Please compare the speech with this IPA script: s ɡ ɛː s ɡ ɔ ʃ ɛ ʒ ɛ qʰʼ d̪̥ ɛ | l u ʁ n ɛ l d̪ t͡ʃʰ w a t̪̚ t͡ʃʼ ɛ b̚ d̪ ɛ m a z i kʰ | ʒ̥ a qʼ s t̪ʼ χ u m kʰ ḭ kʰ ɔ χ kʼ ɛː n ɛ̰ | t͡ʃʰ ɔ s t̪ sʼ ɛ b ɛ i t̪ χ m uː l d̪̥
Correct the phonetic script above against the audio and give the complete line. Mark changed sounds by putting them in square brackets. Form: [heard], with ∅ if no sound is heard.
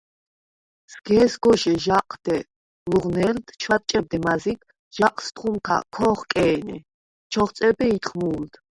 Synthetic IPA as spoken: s ɡ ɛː s ɡ ɔ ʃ ɛ ʒ [a] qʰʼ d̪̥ ɛ | l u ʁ n ɛ l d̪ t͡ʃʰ w a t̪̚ t͡ʃʼ ɛ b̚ d̪ ɛ m a z i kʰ | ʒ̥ a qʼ s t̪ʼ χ u m kʰ [a̰] kʰ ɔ χ kʼ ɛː n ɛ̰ | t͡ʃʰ ɔ [χ] t̪ sʼ ɛ b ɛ i t̪ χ m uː l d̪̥